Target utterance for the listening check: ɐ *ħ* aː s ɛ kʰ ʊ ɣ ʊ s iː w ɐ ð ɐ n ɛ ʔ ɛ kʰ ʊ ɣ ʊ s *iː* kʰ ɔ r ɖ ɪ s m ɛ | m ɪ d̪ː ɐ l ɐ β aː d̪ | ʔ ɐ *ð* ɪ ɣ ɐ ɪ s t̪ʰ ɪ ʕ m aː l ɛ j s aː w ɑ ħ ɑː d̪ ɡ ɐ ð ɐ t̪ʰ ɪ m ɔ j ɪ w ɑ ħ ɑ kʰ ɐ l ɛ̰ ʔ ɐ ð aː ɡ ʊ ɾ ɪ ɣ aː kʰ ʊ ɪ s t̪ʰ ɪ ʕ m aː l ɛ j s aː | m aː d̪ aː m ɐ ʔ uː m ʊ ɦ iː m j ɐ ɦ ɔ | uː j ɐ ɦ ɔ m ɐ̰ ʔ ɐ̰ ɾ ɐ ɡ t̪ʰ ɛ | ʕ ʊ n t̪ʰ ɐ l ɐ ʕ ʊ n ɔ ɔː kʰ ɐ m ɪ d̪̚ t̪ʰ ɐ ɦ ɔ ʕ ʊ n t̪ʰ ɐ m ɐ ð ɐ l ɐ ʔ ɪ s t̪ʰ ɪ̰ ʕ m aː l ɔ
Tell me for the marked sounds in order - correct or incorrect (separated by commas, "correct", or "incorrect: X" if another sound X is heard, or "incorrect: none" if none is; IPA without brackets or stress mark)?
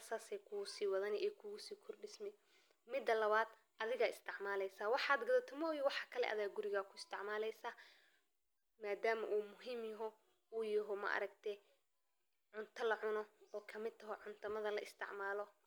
incorrect: s, correct, correct